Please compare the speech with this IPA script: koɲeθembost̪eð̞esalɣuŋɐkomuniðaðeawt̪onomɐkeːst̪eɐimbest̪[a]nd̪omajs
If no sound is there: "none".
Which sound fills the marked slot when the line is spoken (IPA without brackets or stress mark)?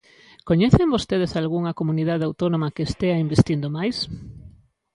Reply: i